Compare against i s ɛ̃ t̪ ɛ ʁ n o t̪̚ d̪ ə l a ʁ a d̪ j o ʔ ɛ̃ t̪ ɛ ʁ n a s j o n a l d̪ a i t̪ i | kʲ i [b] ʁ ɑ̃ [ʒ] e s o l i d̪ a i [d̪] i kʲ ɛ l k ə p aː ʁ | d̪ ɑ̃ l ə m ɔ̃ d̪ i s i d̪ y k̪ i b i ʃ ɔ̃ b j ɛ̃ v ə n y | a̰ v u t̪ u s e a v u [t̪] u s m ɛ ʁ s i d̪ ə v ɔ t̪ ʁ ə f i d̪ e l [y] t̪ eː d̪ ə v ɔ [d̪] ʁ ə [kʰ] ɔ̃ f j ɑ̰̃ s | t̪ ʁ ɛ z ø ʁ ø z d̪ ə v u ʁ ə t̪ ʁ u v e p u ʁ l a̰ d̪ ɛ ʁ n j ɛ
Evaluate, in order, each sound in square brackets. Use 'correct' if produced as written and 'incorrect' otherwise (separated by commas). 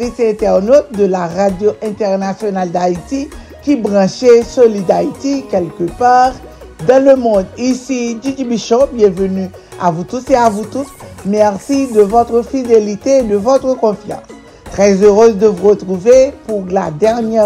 correct, incorrect, incorrect, correct, incorrect, incorrect, incorrect